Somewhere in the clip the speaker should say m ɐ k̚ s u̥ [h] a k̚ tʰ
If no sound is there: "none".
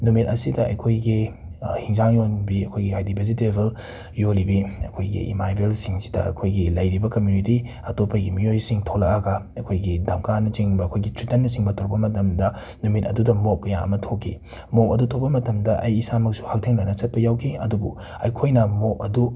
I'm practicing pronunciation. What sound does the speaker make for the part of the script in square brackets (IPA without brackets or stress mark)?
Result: h